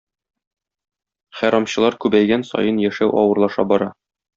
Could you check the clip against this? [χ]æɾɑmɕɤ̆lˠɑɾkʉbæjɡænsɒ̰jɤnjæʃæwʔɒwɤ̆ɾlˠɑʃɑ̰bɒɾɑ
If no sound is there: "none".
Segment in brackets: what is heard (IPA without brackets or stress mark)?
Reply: χ